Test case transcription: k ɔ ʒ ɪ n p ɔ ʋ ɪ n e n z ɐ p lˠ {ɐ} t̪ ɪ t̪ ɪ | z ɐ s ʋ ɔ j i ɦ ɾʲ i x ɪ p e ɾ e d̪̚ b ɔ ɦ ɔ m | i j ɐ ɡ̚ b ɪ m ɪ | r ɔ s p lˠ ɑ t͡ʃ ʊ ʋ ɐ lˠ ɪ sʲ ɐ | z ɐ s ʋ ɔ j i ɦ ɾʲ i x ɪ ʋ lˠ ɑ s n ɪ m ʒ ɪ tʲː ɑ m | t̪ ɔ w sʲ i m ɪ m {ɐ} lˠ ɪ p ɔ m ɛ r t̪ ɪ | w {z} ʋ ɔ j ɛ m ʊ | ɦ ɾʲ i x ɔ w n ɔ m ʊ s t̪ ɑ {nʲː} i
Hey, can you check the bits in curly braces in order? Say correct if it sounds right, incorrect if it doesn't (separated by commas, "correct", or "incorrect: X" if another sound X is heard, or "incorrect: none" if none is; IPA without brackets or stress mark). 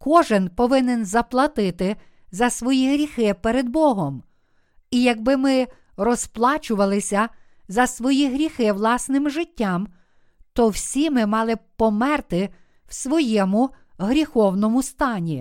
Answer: correct, incorrect: ɑ, incorrect: s, incorrect: nʲ